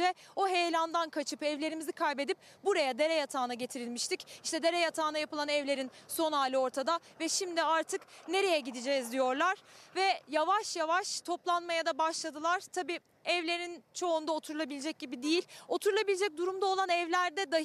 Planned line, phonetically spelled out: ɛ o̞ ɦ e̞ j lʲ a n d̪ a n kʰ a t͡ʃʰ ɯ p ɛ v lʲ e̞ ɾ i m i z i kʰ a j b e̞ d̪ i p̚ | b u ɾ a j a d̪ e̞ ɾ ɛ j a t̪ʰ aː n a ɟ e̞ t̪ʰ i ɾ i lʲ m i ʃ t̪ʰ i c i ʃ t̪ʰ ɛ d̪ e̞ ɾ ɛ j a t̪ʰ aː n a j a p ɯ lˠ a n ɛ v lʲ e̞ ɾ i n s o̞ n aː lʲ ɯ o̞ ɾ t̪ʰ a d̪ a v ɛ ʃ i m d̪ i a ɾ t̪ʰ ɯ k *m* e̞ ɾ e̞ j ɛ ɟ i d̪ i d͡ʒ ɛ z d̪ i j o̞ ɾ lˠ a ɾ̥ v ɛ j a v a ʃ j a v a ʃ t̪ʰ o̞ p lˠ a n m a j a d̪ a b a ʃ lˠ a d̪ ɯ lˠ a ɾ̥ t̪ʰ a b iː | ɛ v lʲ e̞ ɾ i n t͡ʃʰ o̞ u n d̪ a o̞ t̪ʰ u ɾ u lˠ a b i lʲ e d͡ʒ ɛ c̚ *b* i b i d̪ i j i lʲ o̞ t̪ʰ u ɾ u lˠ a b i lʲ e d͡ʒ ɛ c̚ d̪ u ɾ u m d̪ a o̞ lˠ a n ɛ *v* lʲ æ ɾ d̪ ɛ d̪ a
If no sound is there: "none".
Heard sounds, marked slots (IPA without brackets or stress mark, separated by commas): n, ɟ, v